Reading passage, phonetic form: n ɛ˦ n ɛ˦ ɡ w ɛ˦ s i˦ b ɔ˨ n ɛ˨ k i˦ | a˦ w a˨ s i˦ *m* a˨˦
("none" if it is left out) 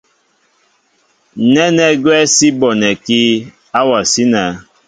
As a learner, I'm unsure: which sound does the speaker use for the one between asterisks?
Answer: n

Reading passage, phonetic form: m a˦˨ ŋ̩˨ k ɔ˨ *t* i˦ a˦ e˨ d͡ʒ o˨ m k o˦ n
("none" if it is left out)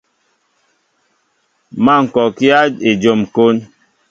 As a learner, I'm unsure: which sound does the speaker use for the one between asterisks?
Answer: k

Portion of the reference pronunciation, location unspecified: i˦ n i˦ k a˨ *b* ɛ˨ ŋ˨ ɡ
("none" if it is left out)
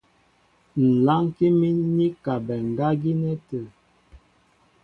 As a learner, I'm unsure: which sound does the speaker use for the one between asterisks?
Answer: b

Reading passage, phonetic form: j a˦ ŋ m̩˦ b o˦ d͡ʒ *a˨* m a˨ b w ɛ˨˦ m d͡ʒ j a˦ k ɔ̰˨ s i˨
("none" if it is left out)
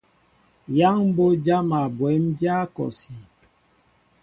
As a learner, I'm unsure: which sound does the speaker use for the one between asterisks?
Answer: a˦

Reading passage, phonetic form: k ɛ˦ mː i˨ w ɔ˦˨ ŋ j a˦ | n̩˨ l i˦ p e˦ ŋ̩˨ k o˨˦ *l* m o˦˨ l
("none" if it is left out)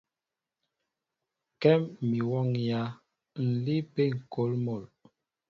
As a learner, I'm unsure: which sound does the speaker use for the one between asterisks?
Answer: l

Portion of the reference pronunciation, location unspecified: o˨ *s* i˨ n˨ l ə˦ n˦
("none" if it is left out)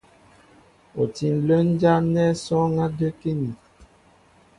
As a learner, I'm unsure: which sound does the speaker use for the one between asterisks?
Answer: t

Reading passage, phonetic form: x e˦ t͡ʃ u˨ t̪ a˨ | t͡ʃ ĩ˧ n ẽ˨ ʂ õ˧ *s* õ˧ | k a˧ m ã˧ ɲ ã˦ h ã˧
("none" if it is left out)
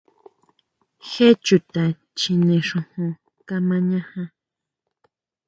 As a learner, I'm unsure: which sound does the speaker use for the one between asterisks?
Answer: h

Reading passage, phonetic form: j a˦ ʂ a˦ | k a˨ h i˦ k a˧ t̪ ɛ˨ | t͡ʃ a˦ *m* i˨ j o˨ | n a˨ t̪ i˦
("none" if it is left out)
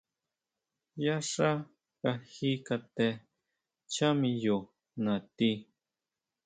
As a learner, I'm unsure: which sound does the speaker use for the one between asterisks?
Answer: m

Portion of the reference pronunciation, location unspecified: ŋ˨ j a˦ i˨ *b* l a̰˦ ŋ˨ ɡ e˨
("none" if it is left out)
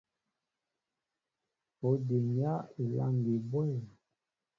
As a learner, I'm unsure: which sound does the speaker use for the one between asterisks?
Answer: none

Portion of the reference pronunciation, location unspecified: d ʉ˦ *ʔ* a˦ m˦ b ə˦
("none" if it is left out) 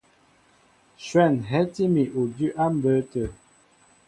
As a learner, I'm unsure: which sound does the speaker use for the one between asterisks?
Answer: ʔ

